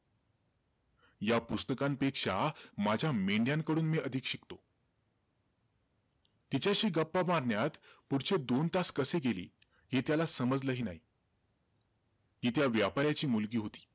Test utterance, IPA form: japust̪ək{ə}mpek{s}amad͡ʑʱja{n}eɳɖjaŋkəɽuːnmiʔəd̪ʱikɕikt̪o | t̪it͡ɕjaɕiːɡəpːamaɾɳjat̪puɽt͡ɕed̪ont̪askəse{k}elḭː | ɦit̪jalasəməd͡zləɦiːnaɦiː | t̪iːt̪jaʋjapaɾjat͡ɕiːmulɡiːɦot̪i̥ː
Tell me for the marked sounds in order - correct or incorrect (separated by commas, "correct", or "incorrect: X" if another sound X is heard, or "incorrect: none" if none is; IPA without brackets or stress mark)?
incorrect: a, incorrect: ʂ, incorrect: m, incorrect: ɡ